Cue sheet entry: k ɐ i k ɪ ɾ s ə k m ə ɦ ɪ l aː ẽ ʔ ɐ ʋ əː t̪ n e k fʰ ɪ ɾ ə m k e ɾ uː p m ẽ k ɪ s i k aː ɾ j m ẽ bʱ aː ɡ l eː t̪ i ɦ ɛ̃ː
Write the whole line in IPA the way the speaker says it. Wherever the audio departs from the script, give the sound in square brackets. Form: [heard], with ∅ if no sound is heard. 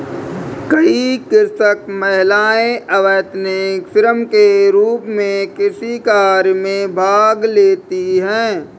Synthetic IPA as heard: k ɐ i k ɪ ɾ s ə k m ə ɦ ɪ l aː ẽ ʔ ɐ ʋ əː t̪ n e k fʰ ɪ ɾ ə m k e ɾ uː p m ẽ k ɪ s i k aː ɾ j m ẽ bʱ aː ɡ l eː t̪ i ɦ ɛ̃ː